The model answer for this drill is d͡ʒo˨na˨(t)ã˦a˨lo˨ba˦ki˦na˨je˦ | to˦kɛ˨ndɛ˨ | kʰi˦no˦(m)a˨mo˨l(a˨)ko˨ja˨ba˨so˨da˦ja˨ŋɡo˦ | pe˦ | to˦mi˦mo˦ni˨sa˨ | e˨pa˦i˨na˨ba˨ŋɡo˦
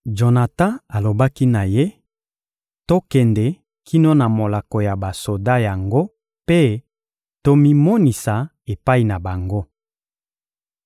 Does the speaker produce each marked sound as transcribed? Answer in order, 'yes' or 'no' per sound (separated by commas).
yes, no, yes